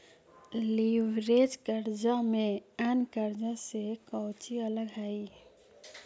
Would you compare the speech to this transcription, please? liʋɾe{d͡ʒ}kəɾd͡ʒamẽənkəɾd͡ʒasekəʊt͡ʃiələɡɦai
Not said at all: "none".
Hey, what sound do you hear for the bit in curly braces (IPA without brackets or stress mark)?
d͡ʒ